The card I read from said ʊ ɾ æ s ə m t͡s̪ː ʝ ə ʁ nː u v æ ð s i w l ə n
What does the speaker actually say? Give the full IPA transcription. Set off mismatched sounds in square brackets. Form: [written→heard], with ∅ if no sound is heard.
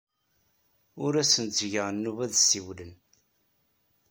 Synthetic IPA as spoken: ʊ ɾ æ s ə [m→n] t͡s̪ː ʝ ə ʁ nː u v æ ð s i w l ə n